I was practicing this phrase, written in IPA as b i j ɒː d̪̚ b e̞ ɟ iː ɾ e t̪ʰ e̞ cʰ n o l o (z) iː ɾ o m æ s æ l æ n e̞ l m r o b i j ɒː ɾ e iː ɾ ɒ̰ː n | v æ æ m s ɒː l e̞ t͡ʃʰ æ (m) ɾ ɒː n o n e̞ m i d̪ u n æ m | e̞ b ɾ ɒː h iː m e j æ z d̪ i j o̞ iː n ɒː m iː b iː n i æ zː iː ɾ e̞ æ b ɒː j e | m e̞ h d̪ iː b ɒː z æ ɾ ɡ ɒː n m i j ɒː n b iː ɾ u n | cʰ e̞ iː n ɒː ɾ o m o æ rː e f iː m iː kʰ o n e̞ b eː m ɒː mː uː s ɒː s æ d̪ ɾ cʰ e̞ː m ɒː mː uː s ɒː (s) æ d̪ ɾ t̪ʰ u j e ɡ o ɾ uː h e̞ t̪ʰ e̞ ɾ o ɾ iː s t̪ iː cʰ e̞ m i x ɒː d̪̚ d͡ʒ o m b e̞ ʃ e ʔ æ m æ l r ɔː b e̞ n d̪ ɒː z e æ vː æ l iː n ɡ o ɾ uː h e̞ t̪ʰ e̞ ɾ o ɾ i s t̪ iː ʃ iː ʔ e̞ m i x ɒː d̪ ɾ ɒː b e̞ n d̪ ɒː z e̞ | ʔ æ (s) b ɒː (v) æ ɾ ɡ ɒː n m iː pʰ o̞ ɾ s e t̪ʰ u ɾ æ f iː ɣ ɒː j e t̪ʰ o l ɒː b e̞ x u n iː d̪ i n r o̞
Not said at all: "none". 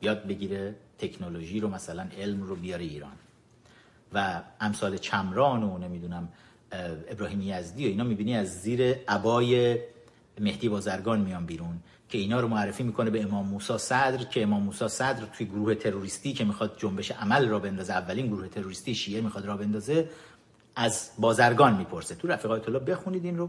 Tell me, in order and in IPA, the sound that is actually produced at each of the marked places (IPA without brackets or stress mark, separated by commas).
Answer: ʒ, m, s, z, z